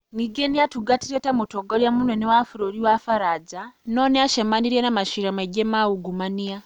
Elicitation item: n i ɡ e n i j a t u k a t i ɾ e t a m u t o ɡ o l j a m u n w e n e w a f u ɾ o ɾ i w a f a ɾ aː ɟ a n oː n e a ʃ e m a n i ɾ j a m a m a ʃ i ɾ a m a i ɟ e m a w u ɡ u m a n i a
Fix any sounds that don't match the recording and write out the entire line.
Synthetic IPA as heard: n i ɡ e n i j a t u ɡ a t i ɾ e t a m u t o ɡ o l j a m u n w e n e w a f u ɾ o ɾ i w a f a ɾ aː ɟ a n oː n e a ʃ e m a n i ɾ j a n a m a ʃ i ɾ a m a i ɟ e m a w u ɡ u m a n i a